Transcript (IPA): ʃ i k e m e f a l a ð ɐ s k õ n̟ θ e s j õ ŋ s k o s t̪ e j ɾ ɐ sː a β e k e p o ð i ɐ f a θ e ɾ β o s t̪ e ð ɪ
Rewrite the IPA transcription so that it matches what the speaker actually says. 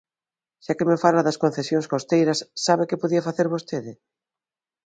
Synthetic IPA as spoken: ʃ a k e m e f a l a ð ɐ s k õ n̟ θ e s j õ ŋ s k o s t̪ e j ɾ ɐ sː a β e k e p o ð i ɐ f a θ e ɾ β o s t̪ e ð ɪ